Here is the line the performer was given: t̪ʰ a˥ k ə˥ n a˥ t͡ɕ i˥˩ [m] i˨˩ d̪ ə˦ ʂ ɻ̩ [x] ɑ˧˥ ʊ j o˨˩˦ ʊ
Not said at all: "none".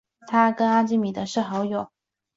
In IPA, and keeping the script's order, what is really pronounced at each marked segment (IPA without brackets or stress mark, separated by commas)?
m, x